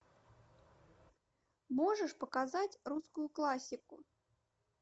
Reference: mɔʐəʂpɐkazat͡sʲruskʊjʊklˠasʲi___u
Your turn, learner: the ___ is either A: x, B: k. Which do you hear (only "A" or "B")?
B